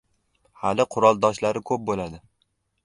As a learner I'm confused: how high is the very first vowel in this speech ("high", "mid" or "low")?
low